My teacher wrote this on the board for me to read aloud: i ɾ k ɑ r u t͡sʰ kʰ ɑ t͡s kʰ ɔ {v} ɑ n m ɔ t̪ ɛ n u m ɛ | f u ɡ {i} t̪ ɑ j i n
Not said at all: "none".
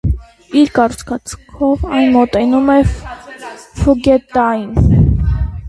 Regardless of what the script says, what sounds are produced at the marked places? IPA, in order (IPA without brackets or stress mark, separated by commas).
v, ɛ